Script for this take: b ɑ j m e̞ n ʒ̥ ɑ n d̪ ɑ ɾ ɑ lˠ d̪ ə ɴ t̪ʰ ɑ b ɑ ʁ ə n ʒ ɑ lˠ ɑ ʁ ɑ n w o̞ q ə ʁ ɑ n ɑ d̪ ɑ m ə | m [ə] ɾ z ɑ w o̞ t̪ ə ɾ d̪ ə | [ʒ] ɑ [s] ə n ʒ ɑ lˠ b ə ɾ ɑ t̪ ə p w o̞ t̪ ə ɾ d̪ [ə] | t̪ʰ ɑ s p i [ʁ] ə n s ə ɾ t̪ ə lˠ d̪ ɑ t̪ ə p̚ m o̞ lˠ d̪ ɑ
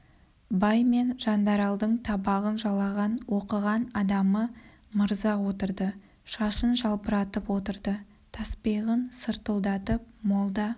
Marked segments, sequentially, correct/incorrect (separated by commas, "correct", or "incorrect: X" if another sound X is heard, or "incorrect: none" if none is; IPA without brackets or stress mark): correct, incorrect: ʃ, incorrect: ʃ, correct, correct